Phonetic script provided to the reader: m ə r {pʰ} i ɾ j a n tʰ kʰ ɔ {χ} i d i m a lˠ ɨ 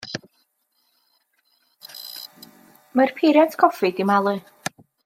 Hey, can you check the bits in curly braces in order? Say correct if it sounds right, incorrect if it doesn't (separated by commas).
correct, incorrect